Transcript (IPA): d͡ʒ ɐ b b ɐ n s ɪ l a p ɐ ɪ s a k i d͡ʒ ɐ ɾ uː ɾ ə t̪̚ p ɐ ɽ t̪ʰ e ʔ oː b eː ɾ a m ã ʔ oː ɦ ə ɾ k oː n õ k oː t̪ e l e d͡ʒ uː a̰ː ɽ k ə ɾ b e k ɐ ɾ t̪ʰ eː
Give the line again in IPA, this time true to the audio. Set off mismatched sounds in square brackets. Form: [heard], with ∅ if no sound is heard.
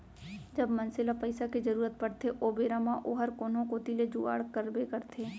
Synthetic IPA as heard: d͡ʒ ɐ b [m] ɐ n s ɪ l a p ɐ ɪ s a k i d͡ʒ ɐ ɾ uː ɾ ə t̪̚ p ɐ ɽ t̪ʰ e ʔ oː b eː ɾ a m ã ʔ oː ɦ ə ɾ k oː n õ k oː t̪ [i] l e d͡ʒ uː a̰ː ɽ k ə ɾ b e k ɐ ɾ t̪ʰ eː